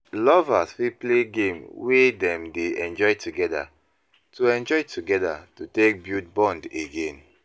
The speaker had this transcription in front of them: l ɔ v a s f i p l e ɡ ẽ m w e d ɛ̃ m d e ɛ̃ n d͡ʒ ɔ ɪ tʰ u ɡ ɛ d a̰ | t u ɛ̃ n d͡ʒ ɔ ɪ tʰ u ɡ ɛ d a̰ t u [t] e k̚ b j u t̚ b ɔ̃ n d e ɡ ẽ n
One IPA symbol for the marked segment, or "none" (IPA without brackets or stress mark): t